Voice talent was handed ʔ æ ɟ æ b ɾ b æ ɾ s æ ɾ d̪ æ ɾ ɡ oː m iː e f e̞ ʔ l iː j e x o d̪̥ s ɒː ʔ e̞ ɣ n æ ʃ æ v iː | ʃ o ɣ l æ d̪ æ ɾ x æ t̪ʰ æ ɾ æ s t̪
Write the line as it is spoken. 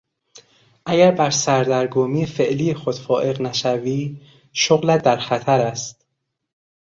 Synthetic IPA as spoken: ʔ æ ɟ æ ɾ b æ ɾ s æ ɾ d̪ æ ɾ ɡ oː m iː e f e̞ ʔ l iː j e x o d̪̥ f ɒː ʔ e̞ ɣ n æ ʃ æ v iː | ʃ o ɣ l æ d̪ æ ɾ x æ t̪ʰ æ ɾ æ s t̪